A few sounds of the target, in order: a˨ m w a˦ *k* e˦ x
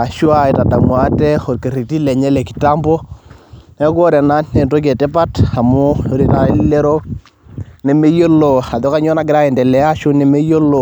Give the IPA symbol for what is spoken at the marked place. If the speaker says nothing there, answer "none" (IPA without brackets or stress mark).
t